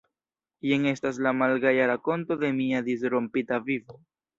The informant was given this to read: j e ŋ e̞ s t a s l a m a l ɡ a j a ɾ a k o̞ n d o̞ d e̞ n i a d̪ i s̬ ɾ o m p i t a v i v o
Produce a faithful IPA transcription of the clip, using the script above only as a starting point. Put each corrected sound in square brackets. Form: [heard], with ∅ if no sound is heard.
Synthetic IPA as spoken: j e ŋ e̞ s t a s l a m a l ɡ a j a ɾ a k o̞ n [t] o̞ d e̞ [m] i a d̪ i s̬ ɾ o m p i t a v i v o